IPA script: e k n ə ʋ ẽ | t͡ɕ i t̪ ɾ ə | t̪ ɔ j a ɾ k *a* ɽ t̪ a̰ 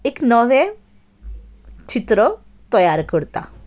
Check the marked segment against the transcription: incorrect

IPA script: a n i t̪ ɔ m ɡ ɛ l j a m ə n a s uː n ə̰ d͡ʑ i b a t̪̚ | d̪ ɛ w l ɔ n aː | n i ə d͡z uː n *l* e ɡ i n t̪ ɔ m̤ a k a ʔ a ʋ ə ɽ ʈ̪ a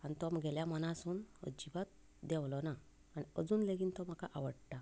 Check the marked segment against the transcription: correct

